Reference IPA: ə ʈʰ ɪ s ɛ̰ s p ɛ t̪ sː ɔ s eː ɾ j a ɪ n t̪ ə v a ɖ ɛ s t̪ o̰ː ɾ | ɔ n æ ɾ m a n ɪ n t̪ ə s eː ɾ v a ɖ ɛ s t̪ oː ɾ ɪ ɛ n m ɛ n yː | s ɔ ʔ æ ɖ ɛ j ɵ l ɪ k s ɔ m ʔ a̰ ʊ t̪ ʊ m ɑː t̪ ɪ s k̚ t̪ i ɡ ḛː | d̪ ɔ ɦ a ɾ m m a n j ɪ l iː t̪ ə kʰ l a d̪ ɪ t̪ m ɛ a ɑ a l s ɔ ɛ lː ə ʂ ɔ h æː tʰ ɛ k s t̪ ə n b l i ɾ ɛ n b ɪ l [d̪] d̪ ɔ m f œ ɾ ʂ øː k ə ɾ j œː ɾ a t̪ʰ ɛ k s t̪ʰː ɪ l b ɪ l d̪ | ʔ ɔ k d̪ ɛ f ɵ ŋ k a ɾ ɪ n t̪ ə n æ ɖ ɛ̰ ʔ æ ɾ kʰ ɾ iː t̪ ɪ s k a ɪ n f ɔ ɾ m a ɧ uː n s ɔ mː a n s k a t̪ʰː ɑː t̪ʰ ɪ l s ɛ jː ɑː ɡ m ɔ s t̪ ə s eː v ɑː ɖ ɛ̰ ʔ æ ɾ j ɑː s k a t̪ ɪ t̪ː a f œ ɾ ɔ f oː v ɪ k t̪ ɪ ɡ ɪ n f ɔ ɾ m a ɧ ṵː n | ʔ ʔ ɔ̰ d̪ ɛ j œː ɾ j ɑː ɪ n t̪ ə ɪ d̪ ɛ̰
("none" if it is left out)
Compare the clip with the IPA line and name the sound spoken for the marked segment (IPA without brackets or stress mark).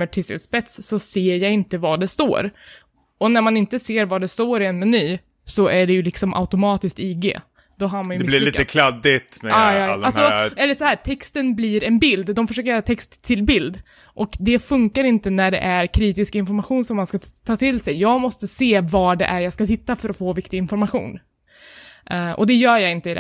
d̪